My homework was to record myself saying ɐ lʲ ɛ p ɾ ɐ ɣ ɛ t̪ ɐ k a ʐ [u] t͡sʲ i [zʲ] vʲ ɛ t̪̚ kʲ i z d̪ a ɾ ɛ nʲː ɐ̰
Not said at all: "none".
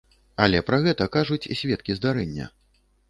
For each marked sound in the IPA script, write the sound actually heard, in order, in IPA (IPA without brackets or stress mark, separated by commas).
u, sʲ